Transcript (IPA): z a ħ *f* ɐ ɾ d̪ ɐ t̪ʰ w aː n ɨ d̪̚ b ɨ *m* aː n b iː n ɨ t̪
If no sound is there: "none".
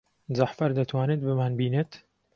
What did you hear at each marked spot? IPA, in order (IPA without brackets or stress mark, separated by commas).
f, m